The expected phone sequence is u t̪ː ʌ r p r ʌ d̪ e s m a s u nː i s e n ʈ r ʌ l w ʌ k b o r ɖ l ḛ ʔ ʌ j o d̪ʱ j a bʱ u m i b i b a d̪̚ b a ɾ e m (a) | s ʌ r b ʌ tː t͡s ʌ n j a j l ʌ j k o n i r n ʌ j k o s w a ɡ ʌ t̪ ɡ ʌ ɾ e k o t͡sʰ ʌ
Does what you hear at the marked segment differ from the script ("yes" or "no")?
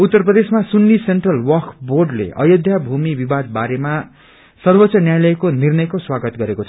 no